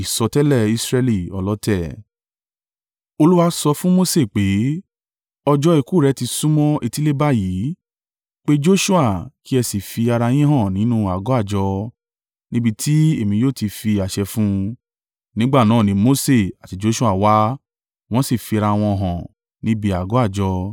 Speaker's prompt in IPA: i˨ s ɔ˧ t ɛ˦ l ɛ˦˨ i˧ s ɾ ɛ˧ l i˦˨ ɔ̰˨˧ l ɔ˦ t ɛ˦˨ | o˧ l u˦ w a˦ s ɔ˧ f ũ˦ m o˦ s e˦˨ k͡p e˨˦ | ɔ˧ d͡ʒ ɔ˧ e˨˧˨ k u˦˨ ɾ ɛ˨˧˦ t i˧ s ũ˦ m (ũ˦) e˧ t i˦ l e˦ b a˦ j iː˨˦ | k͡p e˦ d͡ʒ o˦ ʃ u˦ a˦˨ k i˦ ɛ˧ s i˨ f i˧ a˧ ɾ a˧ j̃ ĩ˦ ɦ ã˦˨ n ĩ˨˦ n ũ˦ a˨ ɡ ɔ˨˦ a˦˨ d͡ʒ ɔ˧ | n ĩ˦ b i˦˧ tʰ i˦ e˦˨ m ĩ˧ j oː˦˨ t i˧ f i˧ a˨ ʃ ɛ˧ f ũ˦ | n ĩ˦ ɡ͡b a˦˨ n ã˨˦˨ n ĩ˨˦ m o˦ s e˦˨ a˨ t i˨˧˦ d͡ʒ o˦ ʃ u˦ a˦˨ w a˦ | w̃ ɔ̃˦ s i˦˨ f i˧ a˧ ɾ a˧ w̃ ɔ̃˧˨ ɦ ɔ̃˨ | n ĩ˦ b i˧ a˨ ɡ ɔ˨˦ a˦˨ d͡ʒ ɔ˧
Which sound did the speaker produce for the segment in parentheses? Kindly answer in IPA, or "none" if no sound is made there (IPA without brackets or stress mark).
ɔ̃˦